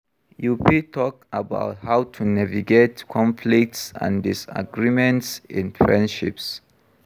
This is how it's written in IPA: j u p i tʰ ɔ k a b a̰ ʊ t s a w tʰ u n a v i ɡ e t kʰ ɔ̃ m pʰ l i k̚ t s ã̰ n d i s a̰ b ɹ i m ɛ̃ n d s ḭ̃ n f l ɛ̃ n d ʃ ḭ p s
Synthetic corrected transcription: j u p i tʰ ɔ k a b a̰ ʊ t h a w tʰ u n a v i ɡ e t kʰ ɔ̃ m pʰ l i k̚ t s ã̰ n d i s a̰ ɡ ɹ i m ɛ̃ n t s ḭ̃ n f ɹ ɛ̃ n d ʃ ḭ p s